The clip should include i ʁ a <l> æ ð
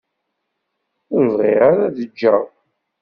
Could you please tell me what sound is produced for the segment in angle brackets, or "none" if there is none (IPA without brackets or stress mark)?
ɾ